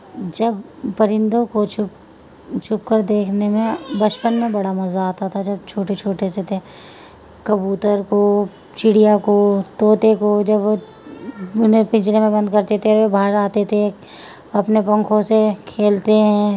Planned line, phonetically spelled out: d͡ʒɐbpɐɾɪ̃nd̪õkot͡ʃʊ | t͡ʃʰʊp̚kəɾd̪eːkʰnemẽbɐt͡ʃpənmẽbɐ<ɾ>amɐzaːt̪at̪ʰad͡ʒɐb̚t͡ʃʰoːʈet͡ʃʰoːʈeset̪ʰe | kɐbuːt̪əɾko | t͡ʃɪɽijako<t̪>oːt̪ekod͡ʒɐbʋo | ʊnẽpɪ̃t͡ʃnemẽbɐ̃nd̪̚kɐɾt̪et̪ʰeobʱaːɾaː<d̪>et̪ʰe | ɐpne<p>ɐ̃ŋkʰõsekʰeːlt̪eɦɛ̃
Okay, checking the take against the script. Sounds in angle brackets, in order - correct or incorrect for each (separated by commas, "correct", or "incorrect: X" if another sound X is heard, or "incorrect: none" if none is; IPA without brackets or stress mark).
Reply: incorrect: ɽ, correct, incorrect: t̪, correct